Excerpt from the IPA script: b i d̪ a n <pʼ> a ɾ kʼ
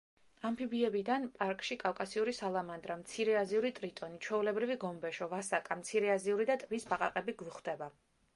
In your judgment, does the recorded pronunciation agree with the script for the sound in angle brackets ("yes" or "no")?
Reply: yes